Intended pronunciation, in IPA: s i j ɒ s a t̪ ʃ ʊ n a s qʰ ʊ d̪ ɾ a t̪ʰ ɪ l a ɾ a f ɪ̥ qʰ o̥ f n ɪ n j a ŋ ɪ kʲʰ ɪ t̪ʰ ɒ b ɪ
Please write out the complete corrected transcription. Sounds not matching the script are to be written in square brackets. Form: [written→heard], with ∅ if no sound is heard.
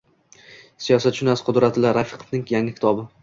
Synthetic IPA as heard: s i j ɒ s a t̪ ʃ ʊ n a s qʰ ʊ d̪ ɾ a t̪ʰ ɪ l a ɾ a f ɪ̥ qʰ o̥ f n ɪ [n→ŋ] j a ŋ ɪ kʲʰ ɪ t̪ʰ ɒ b ɪ